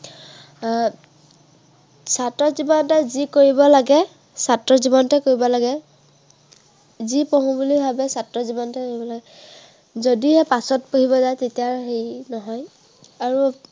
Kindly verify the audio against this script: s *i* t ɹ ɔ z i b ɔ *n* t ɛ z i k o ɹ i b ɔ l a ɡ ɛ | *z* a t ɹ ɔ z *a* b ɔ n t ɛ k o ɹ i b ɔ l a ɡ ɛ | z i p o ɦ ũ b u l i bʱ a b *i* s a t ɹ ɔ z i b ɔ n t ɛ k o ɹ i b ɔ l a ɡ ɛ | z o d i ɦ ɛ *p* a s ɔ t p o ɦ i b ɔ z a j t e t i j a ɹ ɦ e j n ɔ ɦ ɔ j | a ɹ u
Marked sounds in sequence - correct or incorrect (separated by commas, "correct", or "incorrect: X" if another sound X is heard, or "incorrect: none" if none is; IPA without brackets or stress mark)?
incorrect: a, correct, incorrect: s, incorrect: i, incorrect: ɛ, correct